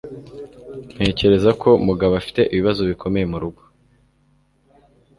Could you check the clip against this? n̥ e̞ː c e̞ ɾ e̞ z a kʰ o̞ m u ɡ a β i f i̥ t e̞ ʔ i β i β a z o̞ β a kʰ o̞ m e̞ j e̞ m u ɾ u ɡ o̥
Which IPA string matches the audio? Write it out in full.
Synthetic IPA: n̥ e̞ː c e̞ ɾ e̞ z a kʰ o̞ m u ɡ a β a f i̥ t e̞ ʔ i β i β a z o̞ β i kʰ o̞ m e̞ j e̞ m u ɾ u ɡ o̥

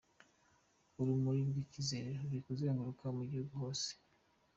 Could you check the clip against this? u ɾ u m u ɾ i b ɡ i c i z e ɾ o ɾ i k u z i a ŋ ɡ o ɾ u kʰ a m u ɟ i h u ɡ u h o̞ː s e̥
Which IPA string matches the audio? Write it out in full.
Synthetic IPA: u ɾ u m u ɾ i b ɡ i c i z e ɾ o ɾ i k u z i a ŋ ɡ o ɾ u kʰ a m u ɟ i h u ɡ u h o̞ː s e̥

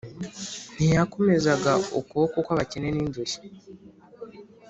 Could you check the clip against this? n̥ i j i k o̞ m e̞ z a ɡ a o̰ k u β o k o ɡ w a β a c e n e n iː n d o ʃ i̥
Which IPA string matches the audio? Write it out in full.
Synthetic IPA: n̥ i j a k o̞ m e̞ z a ɡ a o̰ k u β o k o k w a β a c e n e n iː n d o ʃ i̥

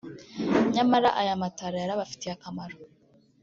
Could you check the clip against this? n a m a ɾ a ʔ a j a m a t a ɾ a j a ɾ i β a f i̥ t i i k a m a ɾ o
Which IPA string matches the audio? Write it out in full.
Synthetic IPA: ɲ a m a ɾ a ʔ a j a m a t a ɾ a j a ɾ a β a f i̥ t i a k a m a ɾ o

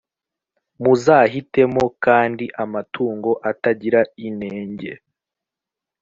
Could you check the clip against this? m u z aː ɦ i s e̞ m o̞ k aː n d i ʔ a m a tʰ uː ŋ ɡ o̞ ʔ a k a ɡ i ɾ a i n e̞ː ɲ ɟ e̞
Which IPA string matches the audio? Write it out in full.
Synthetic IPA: m u z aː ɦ i t e̞ m o̞ k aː n d i ʔ a m a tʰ uː ŋ ɡ o̞ ʔ a t a ɟ i ɾ a i n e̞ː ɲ ɟ e̞

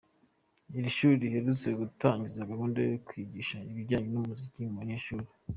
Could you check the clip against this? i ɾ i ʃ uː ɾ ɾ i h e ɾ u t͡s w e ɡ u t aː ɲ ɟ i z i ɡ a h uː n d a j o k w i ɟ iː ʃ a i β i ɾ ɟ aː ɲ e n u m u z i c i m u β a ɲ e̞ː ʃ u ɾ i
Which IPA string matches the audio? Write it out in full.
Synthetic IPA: i ɾ i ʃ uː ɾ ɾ i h e ɾ u t͡s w e ɡ u t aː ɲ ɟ i z a ɡ a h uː n d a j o k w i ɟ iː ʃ a i β i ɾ ɟ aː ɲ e n u m u z i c i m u β a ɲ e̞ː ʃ u ɾ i

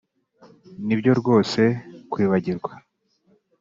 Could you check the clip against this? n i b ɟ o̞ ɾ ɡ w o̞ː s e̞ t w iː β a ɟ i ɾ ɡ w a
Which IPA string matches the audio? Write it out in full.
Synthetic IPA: n i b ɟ o̞ ɾ ɡ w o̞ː s e̞ k w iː β a ɟ i ɾ ɡ w a

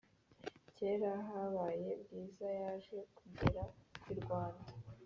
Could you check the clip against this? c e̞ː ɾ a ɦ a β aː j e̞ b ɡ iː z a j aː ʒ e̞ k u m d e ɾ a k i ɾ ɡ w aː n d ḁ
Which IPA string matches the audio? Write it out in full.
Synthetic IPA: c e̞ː ɾ a ɦ a β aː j e̞ b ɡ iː z a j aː ʒ e̞ k u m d e ɾ a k i ɾ ɡ w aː n d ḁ

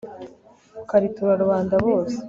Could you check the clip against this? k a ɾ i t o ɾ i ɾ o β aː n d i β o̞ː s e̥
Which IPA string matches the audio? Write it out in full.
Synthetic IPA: k a ɾ i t u ɾ a ɾ u β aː n d a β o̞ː s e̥

